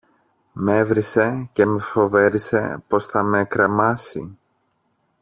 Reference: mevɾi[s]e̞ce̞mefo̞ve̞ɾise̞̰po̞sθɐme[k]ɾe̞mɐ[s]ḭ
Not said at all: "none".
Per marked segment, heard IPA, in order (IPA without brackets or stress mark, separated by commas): s, k, s